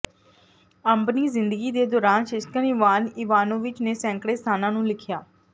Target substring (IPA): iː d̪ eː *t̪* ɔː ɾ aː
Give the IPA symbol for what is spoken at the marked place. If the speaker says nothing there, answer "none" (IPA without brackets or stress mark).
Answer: d̪